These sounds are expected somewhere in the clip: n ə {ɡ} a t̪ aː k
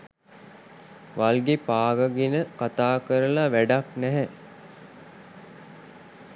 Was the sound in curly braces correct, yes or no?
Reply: no